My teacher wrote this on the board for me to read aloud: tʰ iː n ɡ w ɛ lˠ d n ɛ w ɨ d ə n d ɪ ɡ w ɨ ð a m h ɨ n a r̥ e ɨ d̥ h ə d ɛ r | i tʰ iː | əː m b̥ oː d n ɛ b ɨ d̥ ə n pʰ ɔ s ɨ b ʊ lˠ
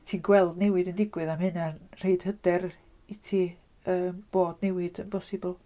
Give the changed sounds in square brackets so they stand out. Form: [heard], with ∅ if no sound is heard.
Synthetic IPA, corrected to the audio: tʰ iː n ɡ w ɛ lˠ d n ɛ w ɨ d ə n d ɪ ɡ w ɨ ð a m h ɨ n a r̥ e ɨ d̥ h ə d ɛ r | i tʰ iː | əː m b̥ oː d n ɛ [w] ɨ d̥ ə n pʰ ɔ s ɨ b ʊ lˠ